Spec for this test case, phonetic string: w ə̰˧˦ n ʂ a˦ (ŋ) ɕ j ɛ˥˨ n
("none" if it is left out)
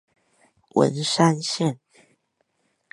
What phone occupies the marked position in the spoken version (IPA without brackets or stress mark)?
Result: n